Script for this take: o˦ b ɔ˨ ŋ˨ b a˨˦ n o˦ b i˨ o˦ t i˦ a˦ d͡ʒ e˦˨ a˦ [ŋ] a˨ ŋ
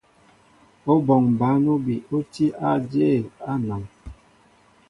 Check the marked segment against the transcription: incorrect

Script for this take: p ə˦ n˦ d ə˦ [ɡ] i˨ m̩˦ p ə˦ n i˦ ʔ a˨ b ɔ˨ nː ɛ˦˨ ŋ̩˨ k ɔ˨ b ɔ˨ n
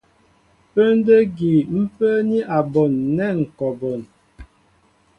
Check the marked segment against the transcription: correct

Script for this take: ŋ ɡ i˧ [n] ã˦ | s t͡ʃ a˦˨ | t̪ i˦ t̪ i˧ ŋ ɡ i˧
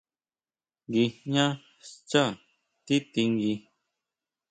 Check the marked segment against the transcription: incorrect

